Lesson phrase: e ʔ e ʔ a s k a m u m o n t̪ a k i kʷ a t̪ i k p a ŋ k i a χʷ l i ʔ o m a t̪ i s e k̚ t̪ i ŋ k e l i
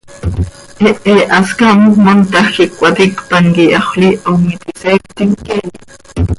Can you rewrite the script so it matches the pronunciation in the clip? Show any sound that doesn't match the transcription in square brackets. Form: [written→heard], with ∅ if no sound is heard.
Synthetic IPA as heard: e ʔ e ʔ a s k a m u m o n t̪ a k i kʷ a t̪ i k p a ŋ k i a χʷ l i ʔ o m [a→i] t̪ i s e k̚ t̪ i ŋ k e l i